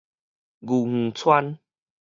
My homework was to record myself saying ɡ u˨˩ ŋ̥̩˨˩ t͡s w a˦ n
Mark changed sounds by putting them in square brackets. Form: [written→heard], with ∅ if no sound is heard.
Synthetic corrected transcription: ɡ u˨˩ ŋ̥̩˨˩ [t͡s→t͡sʰ] w a˦ n